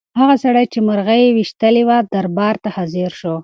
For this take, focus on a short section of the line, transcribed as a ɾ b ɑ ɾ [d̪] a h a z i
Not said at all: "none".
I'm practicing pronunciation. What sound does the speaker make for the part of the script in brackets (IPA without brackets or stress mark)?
t̪